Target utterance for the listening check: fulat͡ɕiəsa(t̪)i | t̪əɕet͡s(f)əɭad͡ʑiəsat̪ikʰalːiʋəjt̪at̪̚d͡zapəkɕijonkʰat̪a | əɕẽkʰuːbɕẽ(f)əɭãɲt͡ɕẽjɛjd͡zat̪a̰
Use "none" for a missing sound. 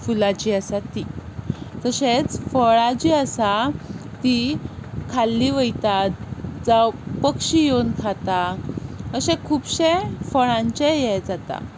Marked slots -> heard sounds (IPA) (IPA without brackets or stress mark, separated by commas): t̪, f, f